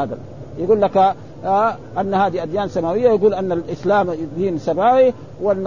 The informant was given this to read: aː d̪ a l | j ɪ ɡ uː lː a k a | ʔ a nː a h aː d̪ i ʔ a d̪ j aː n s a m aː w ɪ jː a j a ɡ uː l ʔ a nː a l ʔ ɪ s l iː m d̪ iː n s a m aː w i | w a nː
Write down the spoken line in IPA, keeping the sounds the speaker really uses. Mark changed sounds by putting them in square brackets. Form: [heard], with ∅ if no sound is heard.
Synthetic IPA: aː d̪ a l | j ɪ ɡ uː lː a k a | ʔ a nː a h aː d̪ i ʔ a d̪ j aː n s a m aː w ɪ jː a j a ɡ uː l ʔ a nː a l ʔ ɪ s l [aː] m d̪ iː n s a m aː w i | w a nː